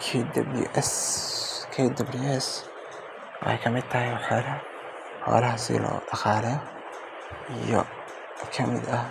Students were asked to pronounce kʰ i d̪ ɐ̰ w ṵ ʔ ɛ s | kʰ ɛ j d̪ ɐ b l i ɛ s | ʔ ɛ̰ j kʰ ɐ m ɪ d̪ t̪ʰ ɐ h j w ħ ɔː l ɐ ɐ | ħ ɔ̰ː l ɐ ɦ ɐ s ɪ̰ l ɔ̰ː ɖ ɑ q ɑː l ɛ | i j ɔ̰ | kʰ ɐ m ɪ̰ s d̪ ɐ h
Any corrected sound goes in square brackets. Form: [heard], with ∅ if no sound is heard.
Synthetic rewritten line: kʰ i d̪ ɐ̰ [b] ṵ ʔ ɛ s | kʰ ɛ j d̪ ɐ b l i ɛ s | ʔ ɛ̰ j kʰ ɐ m ɪ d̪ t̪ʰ ɐ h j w ħ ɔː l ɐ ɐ | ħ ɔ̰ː l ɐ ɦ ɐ s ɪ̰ l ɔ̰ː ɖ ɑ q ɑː l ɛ | i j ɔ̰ | kʰ ɐ m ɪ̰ [∅] d̪ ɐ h

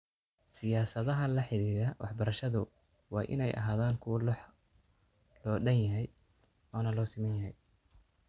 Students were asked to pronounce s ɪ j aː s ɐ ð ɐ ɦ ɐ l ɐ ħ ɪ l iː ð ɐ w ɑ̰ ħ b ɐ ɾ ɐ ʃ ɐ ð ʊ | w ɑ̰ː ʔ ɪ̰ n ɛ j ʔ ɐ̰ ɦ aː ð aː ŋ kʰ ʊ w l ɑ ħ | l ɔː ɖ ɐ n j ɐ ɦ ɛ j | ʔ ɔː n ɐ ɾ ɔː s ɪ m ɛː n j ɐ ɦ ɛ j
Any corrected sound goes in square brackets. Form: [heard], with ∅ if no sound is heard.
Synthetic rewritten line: s ɪ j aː s ɐ ð ɐ ɦ ɐ l ɐ ħ ɪ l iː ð ɐ w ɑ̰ ħ b ɐ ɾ ɐ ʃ ɐ ð ʊ | w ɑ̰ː ʔ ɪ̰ n ɛ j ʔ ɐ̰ ɦ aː ð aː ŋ kʰ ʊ w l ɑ ħ | l ɔː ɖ ɐ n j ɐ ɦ ɛ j | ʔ ɔː n ɐ [l] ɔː s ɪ m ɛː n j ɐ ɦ ɛ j

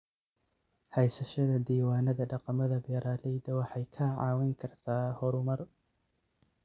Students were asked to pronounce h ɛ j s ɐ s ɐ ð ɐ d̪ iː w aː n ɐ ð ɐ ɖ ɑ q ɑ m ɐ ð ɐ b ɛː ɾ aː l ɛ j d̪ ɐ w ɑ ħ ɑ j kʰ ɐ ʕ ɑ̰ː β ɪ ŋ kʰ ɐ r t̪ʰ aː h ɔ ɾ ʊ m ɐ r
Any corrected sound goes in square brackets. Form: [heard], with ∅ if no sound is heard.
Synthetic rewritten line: h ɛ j s ɐ [ʃ] ɐ ð ɐ d̪ iː w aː n ɐ ð ɐ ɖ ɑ q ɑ m ɐ ð ɐ b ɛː ɾ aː l ɛ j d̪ ɐ w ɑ ħ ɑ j kʰ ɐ ʕ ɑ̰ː [w] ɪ ŋ kʰ ɐ r t̪ʰ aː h ɔ ɾ ʊ m ɐ r

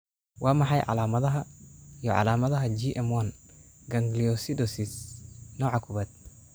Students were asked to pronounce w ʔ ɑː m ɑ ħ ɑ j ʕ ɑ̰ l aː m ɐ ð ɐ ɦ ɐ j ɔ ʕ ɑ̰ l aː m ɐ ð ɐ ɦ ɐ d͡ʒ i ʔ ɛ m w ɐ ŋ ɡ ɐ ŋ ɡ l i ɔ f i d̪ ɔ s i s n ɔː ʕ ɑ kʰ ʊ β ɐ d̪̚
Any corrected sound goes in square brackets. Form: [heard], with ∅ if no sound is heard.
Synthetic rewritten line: w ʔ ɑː m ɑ ħ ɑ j ʕ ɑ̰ l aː m ɐ ð ɐ ɦ ɐ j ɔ ʕ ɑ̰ l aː m ɐ ð ɐ ɦ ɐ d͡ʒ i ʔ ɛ m w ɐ [n] ɡ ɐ ŋ ɡ l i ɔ [s] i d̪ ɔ s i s n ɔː ʕ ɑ kʰ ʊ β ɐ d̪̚

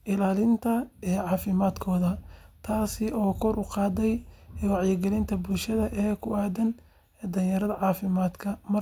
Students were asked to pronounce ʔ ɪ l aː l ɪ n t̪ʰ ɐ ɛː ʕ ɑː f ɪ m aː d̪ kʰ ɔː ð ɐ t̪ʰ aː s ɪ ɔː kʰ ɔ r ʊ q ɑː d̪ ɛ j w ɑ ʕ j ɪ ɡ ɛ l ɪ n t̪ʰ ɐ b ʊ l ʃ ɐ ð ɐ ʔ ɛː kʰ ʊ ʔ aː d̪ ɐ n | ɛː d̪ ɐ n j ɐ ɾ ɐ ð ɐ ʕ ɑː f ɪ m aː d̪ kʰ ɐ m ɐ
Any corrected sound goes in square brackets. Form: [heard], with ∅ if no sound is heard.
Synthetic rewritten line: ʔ ɪ l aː l ɪ n t̪ʰ ɐ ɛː ʕ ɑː f ɪ m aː d̪ kʰ ɔː ð ɐ t̪ʰ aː s ɪ ɔː kʰ ɔ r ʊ q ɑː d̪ ɛ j w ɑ ʕ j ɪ ɡ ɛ l ɪ n t̪ʰ ɐ b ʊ l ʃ ɐ ð ɐ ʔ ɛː kʰ ʊ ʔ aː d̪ ɐ n | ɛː d̪ ɐ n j ɐ ɾ ɐ ð ɐ ʕ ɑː f ɪ m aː d̪ kʰ ɐ m ɐ

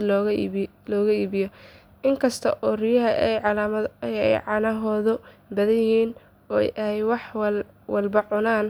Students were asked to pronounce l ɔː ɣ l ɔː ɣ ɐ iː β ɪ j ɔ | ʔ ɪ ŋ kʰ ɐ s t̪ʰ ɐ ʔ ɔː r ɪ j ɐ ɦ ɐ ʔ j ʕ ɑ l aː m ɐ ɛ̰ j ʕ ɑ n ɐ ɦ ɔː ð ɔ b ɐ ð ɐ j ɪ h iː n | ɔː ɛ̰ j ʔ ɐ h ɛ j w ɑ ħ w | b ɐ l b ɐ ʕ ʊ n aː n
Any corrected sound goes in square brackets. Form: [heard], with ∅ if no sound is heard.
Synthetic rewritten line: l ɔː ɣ l ɔː ɣ ɐ iː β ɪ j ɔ | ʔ ɪ ŋ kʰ ɐ s t̪ʰ ɐ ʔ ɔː r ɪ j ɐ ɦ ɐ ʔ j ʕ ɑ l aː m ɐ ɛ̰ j ʕ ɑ n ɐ ɦ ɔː ð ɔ b ɐ ð ɐ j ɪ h iː n | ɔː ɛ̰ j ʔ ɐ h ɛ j w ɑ ħ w | [w] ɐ l b ɐ ʕ ʊ n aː n

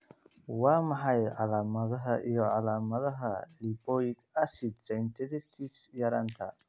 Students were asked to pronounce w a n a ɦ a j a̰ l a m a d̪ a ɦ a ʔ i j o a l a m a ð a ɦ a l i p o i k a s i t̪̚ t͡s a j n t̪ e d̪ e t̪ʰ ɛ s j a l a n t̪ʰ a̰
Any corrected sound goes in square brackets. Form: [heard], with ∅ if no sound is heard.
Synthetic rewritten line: w a [m] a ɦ a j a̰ l a m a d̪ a ɦ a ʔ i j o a l a m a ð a ɦ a l i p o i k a s i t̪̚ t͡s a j n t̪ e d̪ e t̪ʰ [i] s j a [ɾ] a n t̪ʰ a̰

